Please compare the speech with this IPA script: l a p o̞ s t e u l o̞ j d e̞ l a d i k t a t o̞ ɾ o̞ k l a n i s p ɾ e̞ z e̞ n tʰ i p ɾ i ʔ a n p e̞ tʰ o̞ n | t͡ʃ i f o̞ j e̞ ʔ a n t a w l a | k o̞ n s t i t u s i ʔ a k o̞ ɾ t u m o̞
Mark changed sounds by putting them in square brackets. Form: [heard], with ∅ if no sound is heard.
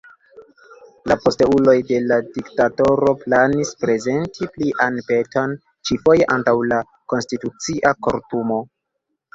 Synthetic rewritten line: l a p o̞ s t e u l o̞ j d e̞ l a d i k t a t o̞ ɾ o̞ [p] l a n i s p ɾ e̞ z e̞ n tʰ i p [l] i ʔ a n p e̞ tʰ o̞ n | t͡ʃ i f o̞ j e̞ ʔ a n t a w l a | k o̞ n s t i t u [t͡s] i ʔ a k o̞ ɾ t u m o̞